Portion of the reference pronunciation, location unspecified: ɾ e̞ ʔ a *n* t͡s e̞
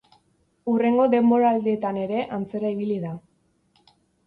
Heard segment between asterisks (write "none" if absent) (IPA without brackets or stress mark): n